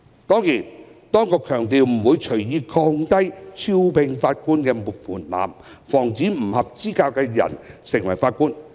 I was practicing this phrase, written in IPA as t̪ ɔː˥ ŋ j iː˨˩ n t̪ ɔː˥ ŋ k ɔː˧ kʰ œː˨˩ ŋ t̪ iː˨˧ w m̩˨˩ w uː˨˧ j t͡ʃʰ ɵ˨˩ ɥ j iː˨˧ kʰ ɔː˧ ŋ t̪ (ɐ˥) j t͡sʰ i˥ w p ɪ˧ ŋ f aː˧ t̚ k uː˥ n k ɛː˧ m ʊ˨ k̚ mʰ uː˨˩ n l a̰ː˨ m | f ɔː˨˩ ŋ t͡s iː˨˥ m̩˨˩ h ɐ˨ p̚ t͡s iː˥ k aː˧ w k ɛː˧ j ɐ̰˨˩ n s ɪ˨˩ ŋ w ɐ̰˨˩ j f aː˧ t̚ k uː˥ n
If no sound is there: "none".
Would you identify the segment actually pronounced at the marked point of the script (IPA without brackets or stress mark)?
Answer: ɐ˥